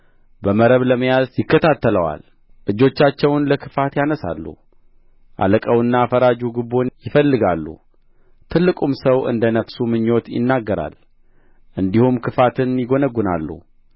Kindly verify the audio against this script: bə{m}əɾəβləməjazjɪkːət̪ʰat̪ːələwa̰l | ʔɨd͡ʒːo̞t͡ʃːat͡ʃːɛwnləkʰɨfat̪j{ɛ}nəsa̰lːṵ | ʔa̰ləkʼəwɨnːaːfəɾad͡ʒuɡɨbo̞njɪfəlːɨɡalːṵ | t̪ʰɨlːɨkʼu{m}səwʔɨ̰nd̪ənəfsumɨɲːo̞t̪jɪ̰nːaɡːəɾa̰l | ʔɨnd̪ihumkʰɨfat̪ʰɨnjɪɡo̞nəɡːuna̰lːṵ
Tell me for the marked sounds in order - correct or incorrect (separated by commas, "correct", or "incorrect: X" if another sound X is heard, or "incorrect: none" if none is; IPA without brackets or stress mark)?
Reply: correct, incorrect: a, correct